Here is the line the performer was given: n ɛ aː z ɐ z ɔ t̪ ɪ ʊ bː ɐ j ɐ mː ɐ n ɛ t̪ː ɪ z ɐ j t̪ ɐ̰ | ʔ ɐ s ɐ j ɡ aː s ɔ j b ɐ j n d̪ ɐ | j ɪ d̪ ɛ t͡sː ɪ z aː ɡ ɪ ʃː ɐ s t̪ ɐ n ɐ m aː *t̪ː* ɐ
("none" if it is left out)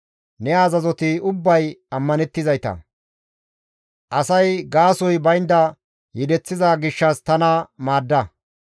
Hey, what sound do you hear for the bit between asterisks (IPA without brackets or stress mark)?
d̪ː